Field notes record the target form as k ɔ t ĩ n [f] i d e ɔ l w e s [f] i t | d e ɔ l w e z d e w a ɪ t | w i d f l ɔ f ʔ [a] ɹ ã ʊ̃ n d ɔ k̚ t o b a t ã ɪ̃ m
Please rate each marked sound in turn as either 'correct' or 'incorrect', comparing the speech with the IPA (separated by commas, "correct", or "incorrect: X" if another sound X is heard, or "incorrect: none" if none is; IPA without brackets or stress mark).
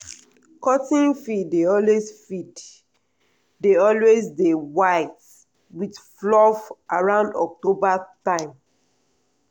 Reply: correct, correct, correct